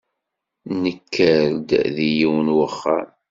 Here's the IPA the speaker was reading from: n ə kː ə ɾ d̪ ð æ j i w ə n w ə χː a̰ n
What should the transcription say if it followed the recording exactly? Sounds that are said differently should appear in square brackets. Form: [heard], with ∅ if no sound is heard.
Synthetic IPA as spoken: n ə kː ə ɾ d̪ ð [i] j i w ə n w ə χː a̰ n